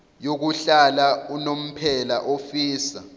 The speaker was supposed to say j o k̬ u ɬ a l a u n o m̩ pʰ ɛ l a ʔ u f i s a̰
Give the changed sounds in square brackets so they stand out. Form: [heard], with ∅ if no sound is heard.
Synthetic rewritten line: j o k̬ u ɬ a l a u n o m̩ pʰ ɛ l a ʔ [o] f [iː] s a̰

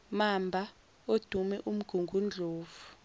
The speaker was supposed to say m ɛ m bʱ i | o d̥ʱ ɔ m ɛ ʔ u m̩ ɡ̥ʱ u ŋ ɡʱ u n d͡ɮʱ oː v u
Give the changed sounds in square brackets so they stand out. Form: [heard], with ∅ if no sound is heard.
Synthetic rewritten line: m [a] m bʱ [a] | o d̥ʱ [u] m ɛ ʔ u m̩ ɡ̥ʱ u ŋ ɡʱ u n d͡ɮʱ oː v u

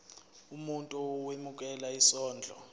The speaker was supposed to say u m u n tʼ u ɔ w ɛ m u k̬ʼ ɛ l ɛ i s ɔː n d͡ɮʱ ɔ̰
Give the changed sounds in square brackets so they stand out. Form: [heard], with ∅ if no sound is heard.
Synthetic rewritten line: u m u n tʼ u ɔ w [e] m u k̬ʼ ɛ l [a] i s ɔː n d͡ɮʱ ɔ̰

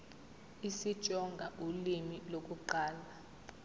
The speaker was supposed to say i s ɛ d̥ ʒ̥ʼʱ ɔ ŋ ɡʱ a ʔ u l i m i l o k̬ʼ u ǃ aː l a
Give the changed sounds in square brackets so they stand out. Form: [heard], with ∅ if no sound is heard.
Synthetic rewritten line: i s [i] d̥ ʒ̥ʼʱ ɔ ŋ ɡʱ a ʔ u l i m i l o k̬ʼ u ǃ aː l a

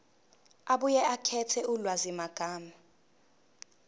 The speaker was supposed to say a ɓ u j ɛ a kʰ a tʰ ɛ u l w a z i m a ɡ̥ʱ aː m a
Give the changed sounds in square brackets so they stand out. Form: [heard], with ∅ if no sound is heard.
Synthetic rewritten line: a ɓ u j ɛ a kʰ [ɛ] tʰ ɛ u l w a z i m a ɡ̥ʱ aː m a

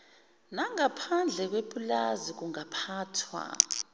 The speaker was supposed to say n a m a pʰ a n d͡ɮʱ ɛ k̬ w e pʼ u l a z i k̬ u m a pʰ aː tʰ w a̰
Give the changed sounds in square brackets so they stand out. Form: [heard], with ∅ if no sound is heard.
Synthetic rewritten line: n a [ŋ] a pʰ a n d͡ɮʱ ɛ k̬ w e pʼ u l a z i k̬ u [ŋ] a pʰ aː tʰ w a̰

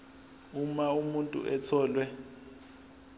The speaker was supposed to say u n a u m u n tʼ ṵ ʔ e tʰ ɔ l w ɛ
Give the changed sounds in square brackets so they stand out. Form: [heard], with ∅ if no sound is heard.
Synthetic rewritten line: u [m] a u m u n tʼ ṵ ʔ [ɛ] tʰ [ɔː] l w ɛ

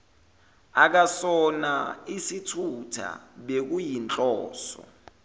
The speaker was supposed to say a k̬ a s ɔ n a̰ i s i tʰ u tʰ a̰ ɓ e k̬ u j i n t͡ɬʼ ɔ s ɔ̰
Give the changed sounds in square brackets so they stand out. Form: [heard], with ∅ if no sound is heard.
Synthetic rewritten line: a k̬ a s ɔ n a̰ i s i tʰ u tʰ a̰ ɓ e k̬ u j i n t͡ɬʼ [ɔː] s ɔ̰

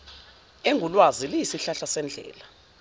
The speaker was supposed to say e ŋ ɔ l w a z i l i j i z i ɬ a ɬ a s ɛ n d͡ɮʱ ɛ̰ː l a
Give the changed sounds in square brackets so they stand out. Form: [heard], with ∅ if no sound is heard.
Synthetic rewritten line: e ŋ [u] l w a z i l i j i [s] i ɬ a ɬ a s ɛ n d͡ɮʱ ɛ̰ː l a

